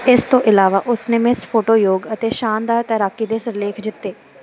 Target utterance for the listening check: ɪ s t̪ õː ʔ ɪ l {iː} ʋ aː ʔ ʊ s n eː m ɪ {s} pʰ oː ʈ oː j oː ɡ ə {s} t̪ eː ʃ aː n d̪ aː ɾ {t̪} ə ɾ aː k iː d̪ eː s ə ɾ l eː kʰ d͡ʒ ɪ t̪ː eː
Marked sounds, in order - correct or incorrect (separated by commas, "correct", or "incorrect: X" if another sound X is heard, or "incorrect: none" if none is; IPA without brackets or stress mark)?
incorrect: aː, correct, incorrect: none, correct